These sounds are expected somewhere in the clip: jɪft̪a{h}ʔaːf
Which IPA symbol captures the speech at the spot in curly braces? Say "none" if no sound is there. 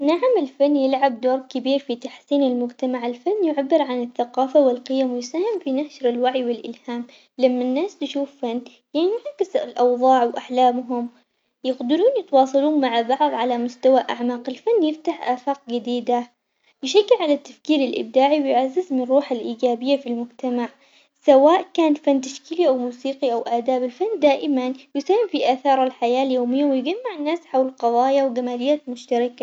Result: ħ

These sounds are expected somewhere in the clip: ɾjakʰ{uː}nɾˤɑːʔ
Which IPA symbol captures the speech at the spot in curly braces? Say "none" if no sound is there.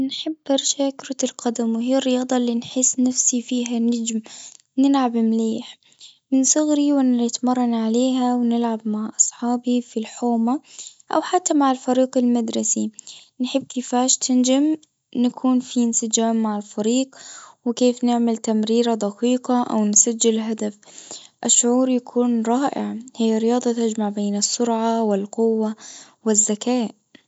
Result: uː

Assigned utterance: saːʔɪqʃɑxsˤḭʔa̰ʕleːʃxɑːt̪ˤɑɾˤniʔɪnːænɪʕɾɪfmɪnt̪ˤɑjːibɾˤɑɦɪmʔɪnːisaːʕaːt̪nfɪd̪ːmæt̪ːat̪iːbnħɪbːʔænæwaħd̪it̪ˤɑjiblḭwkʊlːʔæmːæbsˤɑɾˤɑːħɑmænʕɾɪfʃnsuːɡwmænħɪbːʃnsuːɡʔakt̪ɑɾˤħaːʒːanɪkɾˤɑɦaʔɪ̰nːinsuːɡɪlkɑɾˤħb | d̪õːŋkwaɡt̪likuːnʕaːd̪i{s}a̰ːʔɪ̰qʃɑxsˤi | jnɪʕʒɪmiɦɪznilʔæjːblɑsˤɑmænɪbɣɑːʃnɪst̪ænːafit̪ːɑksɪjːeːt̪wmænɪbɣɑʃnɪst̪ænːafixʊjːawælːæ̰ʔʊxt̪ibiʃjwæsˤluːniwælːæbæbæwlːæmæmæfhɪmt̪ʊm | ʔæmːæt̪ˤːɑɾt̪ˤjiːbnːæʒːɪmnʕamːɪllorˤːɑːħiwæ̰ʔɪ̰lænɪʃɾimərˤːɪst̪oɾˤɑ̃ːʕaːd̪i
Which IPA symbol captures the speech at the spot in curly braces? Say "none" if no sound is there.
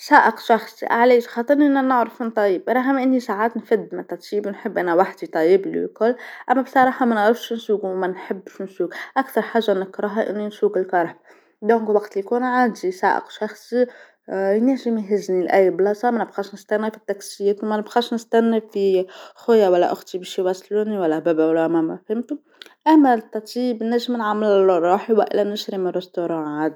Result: s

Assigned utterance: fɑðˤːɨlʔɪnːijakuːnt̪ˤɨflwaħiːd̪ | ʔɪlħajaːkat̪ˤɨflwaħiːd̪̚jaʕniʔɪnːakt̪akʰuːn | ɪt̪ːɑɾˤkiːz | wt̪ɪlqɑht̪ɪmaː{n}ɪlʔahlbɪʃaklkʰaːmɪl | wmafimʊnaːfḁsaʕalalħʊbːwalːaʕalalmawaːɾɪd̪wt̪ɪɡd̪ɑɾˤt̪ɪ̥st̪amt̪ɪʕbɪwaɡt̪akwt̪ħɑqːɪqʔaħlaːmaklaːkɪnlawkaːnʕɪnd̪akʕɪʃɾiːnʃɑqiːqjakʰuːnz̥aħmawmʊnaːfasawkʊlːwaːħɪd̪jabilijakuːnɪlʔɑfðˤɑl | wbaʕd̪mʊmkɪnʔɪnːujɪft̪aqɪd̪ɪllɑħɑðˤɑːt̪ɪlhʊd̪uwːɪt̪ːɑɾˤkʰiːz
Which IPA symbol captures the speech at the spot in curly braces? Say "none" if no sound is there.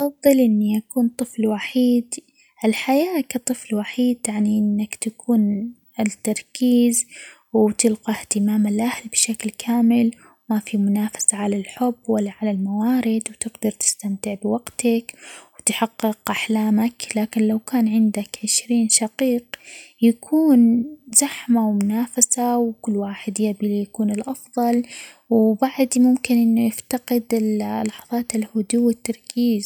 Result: m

